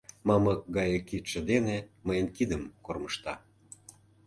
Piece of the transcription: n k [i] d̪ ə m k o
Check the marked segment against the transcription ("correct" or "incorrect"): correct